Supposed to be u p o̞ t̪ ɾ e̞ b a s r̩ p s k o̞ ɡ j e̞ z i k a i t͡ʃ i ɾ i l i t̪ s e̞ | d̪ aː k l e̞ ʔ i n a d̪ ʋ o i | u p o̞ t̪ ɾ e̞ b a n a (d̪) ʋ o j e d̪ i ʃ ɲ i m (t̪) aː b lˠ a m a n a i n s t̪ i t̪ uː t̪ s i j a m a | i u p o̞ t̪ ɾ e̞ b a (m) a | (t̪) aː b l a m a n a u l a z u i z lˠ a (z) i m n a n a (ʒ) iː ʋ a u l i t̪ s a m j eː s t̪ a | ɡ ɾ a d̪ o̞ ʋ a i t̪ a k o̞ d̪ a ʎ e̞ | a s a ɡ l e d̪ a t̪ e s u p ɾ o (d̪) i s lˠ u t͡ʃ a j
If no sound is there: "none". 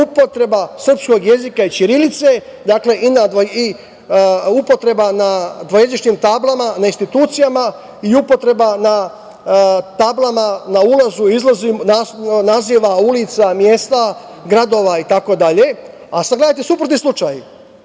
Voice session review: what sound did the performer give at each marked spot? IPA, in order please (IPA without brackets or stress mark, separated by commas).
d̪, t̪, n, t̪, z, z, t̪